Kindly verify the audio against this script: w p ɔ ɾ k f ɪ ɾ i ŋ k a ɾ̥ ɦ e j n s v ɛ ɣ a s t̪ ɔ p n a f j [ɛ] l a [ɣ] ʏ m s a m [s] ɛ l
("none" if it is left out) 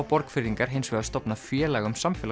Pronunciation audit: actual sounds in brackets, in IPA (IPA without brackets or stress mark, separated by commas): ɛː, ɣ, f